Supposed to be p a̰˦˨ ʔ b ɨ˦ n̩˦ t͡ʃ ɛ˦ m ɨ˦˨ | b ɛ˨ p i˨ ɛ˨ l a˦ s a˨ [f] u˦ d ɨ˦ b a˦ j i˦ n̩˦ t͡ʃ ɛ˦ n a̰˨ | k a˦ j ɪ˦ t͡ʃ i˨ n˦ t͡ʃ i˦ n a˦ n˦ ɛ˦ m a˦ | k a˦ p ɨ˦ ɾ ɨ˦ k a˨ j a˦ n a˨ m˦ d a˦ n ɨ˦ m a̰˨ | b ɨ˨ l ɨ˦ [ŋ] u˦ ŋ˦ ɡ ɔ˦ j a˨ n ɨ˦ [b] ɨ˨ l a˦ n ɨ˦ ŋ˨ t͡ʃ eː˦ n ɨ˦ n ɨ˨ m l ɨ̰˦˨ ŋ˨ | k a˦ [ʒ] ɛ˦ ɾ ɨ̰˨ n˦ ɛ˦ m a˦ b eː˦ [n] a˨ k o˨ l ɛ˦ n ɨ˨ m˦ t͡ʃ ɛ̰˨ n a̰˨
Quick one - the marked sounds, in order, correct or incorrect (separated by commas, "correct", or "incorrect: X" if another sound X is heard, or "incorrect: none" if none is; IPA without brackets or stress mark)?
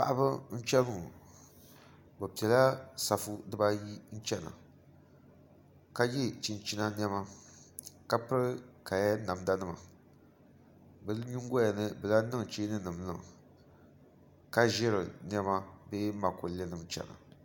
correct, incorrect: ɲ, correct, correct, incorrect: m